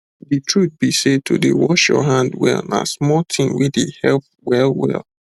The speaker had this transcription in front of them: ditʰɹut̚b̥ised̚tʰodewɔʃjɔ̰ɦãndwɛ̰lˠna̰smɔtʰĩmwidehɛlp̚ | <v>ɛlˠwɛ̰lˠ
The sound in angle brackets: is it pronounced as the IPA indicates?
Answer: no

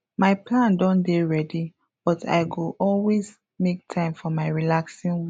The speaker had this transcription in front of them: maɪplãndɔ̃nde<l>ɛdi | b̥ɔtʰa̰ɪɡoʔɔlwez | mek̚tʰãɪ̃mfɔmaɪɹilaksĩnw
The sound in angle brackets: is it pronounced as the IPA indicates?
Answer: no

